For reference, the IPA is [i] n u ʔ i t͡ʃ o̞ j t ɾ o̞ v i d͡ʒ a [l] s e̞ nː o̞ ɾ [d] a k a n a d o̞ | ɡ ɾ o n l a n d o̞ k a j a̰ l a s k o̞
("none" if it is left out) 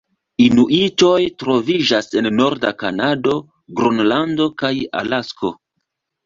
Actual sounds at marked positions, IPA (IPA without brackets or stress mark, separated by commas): i, none, d